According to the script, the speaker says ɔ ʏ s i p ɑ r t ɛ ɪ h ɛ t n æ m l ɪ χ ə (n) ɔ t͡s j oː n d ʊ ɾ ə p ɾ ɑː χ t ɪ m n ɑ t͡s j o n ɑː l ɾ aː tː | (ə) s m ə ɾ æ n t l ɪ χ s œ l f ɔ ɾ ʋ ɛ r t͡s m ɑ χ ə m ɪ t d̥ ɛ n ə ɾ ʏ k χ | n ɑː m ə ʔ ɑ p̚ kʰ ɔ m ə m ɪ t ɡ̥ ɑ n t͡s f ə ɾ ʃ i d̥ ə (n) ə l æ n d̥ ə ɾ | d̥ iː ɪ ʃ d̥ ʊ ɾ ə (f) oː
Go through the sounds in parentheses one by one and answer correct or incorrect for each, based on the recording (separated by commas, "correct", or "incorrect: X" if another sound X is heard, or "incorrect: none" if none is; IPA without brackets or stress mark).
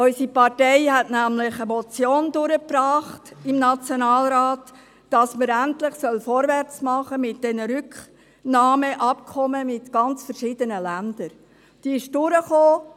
incorrect: m, incorrect: ɑ, correct, incorrect: χ